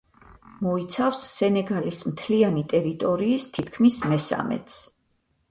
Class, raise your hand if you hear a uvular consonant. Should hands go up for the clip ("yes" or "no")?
no